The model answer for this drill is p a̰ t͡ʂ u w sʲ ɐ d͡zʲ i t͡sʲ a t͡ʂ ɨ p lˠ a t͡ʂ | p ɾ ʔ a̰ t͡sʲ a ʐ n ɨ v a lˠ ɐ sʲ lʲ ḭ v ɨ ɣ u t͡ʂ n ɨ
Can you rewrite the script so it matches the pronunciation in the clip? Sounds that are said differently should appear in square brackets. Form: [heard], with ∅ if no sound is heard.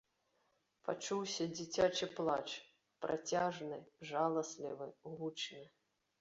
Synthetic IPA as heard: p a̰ t͡ʂ u w sʲ ɐ d͡zʲ i t͡sʲ a t͡ʂ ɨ p lˠ a t͡ʂ | p ɾ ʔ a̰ t͡sʲ a ʐ n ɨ [ʐ] a lˠ ɐ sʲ lʲ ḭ v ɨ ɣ u t͡ʂ n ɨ